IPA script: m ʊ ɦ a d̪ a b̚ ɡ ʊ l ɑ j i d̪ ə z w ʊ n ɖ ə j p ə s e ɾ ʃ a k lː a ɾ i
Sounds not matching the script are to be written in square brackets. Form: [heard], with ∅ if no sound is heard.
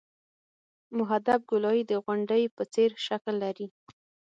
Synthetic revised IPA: m ʊ ɦ a d̪ a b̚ ɡ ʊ l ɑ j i d̪ ə [ɣ] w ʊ [ɳ] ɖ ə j p ə [t͡s] e ɾ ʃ a k lː a ɾ i

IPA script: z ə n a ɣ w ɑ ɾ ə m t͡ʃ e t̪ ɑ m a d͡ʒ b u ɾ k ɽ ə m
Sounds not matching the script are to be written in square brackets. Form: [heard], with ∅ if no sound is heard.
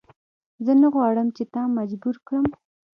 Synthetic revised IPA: z ə n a ɣ w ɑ [ɽ] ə m t͡ʃ e t̪ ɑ m a d͡ʒ b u ɾ k ɽ ə m

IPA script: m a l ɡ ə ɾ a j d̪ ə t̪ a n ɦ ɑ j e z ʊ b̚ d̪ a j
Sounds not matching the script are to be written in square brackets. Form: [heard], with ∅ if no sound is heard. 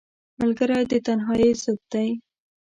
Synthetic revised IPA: m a l ɡ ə ɾ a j d̪ ə t̪ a n ɦ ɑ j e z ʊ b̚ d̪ a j

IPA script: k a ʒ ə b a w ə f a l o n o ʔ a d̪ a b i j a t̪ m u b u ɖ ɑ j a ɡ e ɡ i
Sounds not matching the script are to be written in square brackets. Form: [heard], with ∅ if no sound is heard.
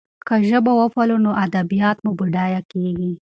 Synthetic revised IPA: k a ʒ ə b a w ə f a l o n o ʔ a d̪ a b i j [ɑ] t̪ m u b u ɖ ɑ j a [k] e ɡ i

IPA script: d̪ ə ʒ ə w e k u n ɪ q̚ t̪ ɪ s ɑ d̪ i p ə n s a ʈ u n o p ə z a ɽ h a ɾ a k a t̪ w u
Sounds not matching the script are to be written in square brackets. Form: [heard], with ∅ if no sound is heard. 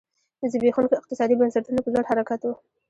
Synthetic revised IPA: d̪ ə [z] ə [b] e [x] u n ɪ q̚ t̪ ɪ s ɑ d̪ i [b] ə n s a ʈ u n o p ə z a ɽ h a ɾ a k a t̪ w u

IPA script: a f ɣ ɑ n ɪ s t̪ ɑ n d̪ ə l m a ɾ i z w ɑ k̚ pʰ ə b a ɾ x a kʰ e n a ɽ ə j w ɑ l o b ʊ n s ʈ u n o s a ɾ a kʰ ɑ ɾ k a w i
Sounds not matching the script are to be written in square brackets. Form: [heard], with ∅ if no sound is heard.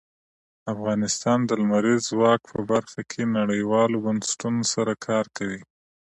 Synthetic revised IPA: a f ɣ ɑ n ɪ s t̪ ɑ n d̪ ə l m a ɾ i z w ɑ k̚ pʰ ə b a ɾ x a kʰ e n a ɽ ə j w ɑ l o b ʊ n s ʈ u n o s a ɾ a kʰ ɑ ɾ k a w i

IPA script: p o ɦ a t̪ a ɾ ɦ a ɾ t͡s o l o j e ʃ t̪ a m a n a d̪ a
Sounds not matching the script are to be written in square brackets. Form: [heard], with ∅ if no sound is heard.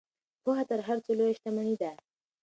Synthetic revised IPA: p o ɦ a t̪ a ɾ ɦ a ɾ t͡s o l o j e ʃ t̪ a m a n [i] d̪ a

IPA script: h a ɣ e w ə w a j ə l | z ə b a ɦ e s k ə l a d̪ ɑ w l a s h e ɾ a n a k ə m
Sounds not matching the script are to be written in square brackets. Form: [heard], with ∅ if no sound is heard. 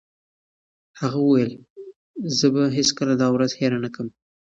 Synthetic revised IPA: h a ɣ [a] w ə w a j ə l | z ə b a ɦ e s k ə l a d̪ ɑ w [ɾ] a [z] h e ɾ a n a k ə m

